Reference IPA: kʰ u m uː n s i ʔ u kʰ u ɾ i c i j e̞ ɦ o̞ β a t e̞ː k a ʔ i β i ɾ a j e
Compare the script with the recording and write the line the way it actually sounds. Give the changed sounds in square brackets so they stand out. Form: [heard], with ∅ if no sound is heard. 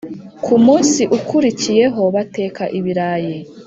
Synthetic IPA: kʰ u m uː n s i ʔ u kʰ u ɾ i c i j e̞ ɦ o̞ β a t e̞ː k a ʔ i β i ɾ a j e